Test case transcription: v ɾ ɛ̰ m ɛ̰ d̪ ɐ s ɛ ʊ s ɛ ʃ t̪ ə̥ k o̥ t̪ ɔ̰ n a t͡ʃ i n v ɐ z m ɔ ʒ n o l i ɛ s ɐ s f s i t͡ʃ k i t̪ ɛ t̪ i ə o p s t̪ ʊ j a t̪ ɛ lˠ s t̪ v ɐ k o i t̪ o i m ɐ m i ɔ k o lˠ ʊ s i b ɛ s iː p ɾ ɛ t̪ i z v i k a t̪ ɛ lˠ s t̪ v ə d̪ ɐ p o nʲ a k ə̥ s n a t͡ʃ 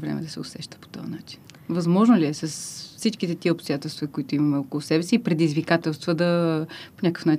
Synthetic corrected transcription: v ɾ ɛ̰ m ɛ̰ d̪ ɐ s ɛ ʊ s ɛ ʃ t̪ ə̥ p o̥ t̪ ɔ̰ n a t͡ʃ i n v ɐ z m ɔ ʒ n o l i ɛ s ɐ s f s i t͡ʃ k i t̪ ɛ t̪ i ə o p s t̪ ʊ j a t̪ ɛ lˠ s t̪ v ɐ k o i t̪ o i m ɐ m ɛ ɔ k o lˠ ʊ s ɛ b ɛ s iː p ɾ ɛ d̪ i z v i k a t̪ ɛ lˠ s t̪ v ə d̪ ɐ p o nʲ a k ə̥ f n a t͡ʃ